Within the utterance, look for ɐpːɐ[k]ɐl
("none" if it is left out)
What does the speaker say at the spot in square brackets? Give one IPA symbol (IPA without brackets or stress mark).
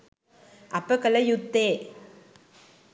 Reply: k